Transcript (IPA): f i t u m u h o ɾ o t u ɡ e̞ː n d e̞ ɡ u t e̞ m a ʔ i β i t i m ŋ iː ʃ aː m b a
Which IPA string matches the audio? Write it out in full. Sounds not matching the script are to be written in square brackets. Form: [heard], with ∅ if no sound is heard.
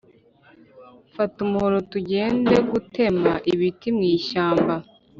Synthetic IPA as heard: f [a] t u m u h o ɾ o t u [ɟ] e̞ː n d e̞ ɡ u t e̞ m a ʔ i β i t i m ŋ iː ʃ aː m b a